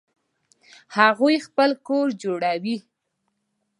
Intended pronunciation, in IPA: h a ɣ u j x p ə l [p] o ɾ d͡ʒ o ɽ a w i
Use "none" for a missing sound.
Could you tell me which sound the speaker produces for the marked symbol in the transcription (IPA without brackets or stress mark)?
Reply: k